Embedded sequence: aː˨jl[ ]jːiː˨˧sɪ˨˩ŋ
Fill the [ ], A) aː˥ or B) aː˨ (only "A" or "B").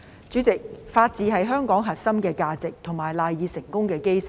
B